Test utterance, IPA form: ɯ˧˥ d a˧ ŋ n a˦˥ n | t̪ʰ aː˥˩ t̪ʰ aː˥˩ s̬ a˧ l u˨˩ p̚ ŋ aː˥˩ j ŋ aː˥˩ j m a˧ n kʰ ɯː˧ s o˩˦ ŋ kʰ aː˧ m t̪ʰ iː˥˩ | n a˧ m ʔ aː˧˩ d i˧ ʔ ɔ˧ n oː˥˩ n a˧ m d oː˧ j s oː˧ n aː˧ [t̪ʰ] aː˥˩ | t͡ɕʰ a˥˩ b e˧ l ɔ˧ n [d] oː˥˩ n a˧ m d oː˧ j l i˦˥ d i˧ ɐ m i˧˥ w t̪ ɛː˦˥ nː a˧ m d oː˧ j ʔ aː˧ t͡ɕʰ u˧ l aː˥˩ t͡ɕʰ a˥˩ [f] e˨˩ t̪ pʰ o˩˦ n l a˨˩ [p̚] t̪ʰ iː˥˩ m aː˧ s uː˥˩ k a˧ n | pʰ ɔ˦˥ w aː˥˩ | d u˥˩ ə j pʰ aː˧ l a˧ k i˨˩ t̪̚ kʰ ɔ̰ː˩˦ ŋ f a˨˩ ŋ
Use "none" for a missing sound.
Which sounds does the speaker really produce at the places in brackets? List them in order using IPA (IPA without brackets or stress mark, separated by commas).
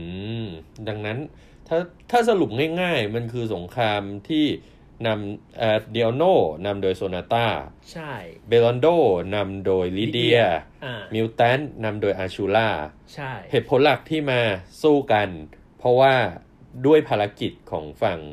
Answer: t̪, d, h, k̚